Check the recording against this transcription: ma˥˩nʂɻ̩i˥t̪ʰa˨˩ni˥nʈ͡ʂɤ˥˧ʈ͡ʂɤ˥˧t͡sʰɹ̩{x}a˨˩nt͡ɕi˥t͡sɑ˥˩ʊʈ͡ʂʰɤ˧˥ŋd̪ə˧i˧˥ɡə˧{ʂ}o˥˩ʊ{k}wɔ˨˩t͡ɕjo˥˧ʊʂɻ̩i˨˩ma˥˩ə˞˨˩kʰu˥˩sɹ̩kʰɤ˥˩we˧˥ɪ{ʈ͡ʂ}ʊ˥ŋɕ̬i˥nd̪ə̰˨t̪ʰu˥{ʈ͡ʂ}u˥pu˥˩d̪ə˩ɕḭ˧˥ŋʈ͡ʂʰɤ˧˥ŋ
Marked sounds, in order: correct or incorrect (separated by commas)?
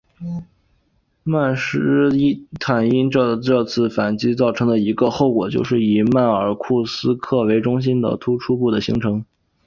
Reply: incorrect, incorrect, correct, correct, incorrect